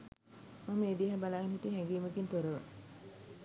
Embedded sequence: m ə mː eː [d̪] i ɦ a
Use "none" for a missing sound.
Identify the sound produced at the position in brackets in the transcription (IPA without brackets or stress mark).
d̪